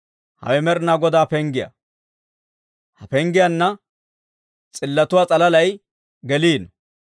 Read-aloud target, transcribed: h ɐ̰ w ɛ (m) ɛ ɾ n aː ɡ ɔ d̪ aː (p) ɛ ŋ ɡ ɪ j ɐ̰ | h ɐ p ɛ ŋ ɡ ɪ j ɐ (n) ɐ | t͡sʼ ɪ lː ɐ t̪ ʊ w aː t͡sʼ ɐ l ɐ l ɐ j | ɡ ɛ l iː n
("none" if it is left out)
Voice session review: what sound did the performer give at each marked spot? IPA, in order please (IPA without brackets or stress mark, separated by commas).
m, p, nː